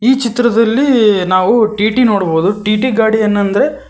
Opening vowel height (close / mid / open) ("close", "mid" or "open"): close